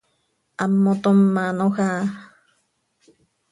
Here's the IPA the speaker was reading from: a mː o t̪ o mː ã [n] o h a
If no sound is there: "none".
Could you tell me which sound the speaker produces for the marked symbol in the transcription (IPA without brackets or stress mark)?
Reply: n